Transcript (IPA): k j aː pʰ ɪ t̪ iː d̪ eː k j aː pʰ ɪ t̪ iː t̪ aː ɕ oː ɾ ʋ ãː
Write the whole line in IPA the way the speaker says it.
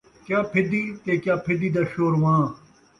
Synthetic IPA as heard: k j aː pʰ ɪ d̪ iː t̪ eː k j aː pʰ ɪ d̪ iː d̪ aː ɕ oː ɾ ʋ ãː